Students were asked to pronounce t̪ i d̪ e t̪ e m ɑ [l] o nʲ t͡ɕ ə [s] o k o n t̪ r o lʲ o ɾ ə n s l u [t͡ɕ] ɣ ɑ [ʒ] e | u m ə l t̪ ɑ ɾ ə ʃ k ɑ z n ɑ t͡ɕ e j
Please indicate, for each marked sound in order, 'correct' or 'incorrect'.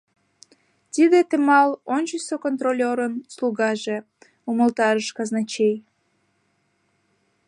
correct, correct, incorrect: none, correct

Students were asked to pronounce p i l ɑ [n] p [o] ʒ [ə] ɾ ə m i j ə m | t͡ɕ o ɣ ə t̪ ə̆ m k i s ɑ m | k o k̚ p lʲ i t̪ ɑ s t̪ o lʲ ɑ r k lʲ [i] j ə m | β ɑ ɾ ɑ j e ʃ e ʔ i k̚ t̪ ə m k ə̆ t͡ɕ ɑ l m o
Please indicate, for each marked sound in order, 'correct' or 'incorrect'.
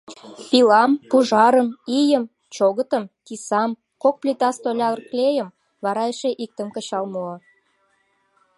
incorrect: m, incorrect: u, incorrect: ɑ, incorrect: e

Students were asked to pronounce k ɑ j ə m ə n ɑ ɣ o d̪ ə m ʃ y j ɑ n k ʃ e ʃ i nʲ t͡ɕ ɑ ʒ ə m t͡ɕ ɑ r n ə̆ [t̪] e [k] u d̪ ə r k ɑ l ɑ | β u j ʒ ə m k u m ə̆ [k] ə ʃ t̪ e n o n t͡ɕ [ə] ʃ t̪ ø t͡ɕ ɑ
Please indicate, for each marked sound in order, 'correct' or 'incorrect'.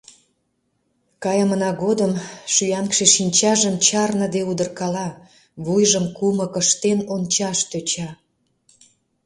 incorrect: d̪, incorrect: none, correct, incorrect: ɑ

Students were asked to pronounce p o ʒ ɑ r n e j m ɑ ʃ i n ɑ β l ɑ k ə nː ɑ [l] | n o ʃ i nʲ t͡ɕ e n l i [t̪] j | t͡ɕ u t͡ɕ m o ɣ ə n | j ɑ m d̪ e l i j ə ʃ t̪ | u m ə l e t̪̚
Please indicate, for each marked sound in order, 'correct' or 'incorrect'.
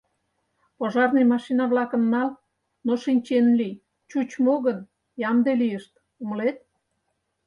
correct, incorrect: none

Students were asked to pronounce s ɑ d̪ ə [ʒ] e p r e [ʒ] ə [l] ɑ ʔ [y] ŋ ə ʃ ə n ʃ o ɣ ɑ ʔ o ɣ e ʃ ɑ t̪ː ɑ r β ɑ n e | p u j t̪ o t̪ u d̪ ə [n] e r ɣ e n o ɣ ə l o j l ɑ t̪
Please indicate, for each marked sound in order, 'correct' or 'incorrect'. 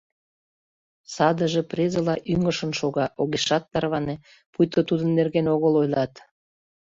correct, incorrect: z, correct, correct, incorrect: nː

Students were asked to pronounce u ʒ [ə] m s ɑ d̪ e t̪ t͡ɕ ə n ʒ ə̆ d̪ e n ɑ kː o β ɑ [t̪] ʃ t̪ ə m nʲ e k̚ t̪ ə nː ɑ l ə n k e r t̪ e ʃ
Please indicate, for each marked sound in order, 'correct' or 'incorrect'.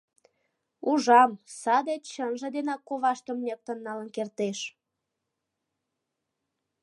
incorrect: ɑ, incorrect: none

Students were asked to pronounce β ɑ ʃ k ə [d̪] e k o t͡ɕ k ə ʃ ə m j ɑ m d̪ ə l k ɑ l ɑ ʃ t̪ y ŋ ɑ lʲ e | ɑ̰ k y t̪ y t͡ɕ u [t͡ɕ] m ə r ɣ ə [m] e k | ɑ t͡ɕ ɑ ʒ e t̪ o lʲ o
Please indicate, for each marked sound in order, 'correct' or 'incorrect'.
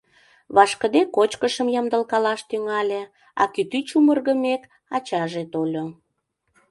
correct, incorrect: none, correct

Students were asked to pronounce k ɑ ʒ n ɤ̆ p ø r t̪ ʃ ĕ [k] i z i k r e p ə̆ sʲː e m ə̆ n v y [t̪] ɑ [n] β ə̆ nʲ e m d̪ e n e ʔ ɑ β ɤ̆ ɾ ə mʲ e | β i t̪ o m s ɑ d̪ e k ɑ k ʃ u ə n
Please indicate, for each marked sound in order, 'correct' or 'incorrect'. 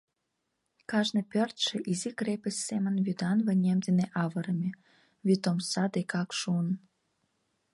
incorrect: ʔ, incorrect: d̪, correct

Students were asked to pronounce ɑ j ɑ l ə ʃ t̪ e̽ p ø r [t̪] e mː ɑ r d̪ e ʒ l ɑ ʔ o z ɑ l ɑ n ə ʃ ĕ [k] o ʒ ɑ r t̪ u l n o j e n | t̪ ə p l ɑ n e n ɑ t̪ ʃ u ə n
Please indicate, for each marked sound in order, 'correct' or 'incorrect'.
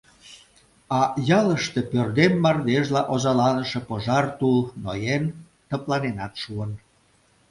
incorrect: d̪, incorrect: p

